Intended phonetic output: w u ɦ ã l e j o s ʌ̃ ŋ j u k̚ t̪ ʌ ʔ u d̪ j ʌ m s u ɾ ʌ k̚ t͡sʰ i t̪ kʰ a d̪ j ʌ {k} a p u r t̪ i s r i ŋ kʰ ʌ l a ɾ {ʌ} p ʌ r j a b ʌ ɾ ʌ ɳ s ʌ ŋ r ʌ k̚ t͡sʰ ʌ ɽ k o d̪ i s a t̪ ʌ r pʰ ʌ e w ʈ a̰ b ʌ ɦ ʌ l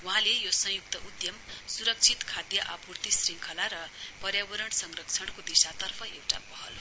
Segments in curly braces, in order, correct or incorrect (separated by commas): incorrect, correct